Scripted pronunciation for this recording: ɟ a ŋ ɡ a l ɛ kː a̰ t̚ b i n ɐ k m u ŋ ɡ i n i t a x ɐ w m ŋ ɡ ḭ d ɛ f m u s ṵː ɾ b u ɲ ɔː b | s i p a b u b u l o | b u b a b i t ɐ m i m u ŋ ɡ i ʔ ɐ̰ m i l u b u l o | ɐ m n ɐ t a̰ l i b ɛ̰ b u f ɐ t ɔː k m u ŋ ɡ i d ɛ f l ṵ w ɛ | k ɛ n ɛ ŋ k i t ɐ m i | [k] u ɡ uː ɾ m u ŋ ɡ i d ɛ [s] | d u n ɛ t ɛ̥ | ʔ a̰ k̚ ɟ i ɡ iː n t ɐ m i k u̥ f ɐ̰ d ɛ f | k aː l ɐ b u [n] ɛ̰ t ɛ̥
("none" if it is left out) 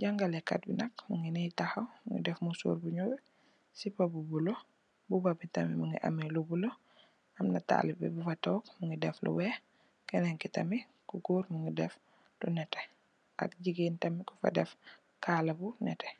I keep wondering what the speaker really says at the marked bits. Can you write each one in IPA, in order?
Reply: k, f, n

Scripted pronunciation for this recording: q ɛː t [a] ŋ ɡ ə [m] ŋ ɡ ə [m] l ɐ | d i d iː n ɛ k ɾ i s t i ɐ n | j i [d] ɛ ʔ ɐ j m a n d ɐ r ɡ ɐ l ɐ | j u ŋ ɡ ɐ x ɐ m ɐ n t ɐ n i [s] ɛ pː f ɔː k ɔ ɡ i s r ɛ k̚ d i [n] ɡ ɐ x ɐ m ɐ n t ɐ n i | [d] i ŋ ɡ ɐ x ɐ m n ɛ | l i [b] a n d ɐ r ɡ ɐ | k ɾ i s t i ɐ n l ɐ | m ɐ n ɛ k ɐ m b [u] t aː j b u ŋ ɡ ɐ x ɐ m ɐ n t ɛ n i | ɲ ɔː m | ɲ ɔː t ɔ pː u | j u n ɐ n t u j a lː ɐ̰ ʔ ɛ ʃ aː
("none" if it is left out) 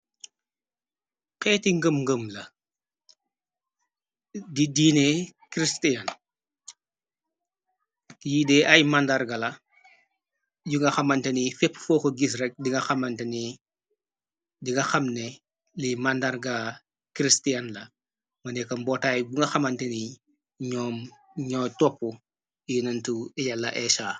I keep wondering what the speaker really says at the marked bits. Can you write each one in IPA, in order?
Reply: i, m, m, d, f, ŋ, d, m, ɔ

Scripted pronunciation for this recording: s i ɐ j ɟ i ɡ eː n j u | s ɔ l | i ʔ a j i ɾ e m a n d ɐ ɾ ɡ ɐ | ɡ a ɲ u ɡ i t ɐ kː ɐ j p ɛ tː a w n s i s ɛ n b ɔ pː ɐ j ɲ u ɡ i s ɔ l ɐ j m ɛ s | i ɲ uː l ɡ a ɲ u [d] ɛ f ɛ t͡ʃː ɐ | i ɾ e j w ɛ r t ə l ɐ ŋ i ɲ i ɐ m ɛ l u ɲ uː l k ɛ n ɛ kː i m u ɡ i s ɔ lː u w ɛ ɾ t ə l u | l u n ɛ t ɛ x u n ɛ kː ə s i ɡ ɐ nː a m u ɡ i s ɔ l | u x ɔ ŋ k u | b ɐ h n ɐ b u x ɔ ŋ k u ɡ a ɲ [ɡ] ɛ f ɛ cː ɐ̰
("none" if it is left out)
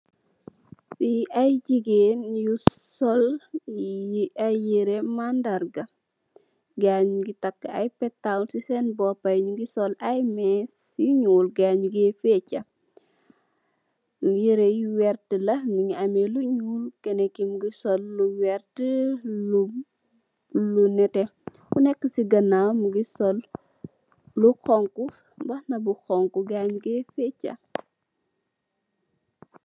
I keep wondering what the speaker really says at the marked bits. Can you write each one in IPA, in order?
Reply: ɡ, ɡ

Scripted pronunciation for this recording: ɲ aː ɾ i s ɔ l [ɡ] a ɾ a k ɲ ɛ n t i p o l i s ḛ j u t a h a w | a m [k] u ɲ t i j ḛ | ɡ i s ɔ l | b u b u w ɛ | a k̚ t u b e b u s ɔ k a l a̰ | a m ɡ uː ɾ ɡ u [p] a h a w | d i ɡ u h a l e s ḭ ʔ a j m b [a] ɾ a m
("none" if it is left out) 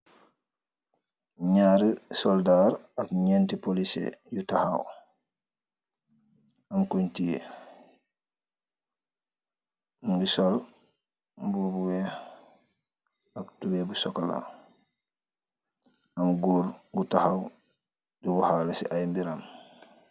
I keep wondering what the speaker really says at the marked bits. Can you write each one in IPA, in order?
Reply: d, k, t, i

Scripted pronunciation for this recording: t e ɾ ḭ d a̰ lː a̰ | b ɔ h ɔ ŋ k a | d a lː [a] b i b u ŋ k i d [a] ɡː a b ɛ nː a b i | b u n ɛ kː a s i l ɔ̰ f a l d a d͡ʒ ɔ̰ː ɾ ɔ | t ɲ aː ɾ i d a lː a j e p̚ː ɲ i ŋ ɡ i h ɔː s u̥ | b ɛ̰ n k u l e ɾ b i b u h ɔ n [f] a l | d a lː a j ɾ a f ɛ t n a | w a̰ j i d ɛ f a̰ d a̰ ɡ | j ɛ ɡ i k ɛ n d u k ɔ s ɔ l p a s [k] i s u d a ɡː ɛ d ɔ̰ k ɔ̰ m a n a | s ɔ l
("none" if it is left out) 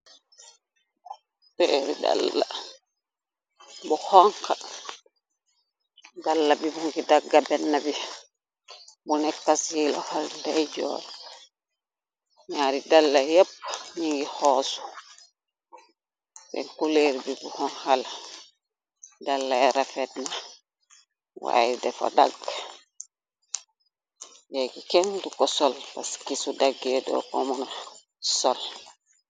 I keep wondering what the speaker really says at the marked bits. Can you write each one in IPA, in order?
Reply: a, a, h, k

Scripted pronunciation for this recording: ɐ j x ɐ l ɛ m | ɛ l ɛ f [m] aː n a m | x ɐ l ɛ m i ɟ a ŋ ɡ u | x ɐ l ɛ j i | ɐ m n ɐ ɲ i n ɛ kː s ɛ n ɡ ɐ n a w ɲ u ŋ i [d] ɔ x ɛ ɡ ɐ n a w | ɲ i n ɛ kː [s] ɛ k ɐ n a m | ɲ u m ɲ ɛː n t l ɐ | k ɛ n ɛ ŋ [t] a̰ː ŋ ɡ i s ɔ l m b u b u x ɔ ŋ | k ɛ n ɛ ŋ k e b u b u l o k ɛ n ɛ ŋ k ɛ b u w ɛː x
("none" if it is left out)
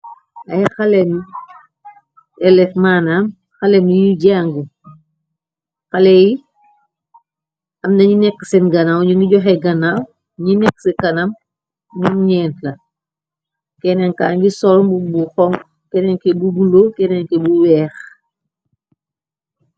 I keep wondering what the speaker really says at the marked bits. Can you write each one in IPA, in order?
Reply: m, ɟ, s, k

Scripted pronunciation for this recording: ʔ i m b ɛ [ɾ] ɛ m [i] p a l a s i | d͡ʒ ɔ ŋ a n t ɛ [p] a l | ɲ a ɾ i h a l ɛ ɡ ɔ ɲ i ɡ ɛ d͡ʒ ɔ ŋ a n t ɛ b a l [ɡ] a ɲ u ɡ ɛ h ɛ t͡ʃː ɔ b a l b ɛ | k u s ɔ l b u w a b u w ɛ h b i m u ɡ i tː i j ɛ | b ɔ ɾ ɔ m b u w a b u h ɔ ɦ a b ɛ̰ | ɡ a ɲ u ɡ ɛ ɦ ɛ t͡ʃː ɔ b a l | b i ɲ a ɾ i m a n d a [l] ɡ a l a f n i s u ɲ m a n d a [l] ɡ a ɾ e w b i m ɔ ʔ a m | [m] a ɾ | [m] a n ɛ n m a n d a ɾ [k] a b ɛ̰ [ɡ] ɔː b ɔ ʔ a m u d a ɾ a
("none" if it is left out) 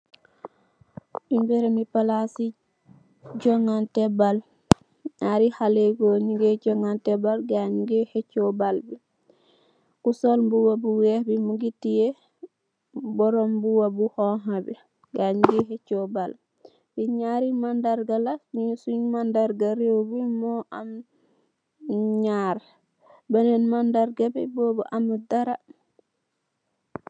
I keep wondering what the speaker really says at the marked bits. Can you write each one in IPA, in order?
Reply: ɾ, i, b, ɡ, ɾ, ɾ, ɲ, b, ɡ, b

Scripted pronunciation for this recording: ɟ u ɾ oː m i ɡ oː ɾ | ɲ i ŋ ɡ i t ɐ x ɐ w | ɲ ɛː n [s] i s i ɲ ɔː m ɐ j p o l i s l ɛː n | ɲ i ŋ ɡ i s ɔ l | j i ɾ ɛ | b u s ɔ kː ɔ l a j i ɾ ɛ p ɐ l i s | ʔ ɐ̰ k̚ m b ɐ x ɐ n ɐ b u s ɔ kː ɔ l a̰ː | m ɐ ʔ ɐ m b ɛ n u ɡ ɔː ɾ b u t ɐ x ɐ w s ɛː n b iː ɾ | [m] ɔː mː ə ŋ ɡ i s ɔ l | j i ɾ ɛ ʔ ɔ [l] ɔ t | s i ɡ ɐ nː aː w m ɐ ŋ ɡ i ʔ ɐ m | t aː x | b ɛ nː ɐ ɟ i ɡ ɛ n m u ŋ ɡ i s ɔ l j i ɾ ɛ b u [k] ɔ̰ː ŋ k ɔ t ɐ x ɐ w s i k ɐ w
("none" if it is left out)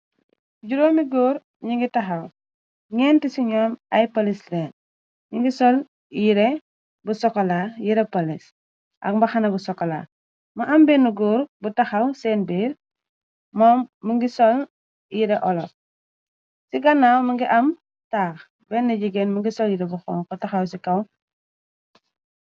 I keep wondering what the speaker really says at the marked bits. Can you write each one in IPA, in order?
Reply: t, m, l, x

